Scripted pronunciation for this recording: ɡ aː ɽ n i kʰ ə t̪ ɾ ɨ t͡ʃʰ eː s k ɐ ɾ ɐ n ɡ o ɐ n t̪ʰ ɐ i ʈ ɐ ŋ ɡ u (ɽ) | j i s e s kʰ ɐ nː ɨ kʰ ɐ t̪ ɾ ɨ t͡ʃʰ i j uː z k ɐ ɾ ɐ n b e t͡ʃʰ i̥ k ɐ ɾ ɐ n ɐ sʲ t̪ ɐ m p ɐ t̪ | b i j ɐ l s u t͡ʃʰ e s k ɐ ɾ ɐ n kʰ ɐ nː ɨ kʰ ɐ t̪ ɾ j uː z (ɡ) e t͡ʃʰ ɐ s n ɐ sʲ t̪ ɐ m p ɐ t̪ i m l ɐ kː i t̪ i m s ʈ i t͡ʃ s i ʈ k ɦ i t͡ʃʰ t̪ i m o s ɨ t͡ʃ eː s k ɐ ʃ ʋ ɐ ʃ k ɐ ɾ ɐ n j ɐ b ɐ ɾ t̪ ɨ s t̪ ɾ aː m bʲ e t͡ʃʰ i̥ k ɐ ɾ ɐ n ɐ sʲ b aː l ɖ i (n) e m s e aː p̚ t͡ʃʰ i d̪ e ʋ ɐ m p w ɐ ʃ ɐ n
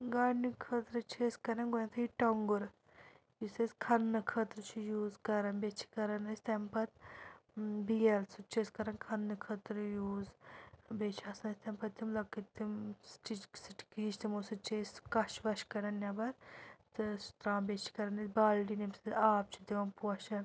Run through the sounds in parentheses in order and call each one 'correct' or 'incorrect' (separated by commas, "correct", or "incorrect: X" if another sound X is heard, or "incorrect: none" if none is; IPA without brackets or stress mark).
incorrect: ɾ, incorrect: b, correct